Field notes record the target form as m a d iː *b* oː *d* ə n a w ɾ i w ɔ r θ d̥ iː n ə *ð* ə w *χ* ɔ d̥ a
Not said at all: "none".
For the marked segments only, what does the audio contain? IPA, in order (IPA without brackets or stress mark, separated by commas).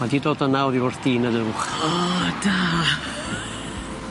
d, d, ð, χ